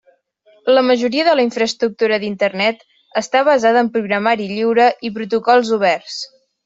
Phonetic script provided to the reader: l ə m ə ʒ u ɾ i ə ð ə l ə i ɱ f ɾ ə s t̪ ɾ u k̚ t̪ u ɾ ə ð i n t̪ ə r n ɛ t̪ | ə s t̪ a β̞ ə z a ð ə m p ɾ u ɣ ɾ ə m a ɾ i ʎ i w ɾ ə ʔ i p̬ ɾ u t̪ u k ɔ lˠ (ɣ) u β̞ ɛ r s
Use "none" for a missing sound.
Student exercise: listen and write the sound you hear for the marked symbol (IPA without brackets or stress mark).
z